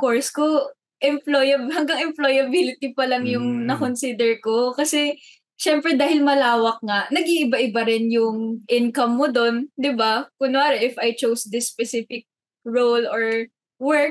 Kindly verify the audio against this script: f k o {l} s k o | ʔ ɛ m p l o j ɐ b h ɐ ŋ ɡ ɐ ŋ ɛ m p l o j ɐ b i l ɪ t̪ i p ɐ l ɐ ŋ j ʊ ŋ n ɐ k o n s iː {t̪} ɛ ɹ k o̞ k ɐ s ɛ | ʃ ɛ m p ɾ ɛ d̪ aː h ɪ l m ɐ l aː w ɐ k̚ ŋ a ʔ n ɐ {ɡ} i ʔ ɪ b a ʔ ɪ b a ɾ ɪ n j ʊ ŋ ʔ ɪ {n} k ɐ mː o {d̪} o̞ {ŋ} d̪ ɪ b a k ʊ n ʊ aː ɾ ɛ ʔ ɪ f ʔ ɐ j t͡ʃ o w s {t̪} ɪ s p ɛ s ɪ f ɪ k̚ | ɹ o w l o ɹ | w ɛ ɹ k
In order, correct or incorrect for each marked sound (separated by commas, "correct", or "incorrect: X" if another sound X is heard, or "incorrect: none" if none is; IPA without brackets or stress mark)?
incorrect: ɹ, incorrect: d̪, correct, correct, correct, incorrect: n, incorrect: d̪